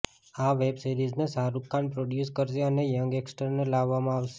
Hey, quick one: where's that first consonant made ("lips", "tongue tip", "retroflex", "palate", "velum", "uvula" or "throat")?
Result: lips